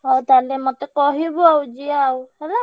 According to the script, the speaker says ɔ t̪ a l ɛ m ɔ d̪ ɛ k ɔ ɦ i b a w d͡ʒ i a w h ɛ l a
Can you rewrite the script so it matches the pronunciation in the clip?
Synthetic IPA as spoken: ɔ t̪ a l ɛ m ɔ t̪ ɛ k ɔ ɦ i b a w d͡ʒ i a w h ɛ l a